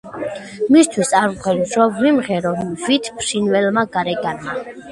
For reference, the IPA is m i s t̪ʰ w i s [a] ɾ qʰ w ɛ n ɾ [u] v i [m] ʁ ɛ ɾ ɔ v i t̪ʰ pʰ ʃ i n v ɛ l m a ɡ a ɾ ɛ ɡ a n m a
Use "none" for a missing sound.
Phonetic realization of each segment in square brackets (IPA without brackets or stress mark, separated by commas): a, ɔ, m